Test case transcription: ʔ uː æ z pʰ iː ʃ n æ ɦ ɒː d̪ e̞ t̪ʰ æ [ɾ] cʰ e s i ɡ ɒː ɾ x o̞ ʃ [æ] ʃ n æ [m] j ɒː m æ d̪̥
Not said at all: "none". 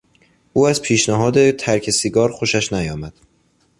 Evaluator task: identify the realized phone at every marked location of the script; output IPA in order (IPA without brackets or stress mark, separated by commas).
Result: ɾ, æ, none